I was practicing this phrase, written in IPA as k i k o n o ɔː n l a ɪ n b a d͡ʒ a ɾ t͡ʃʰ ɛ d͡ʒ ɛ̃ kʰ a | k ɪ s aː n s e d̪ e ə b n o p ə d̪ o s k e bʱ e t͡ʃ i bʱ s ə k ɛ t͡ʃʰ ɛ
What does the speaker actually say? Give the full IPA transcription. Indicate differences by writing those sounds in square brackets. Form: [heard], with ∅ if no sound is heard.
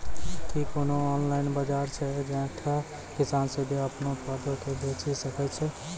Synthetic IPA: k i k o n o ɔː n l a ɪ n b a d͡ʒ a ɾ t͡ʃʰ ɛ d͡ʒ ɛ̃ [ʈʰ] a | k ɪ s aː n s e d̪ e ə [p] n o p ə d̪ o [∅] k e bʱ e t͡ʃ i [∅] s ə k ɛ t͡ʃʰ ɛ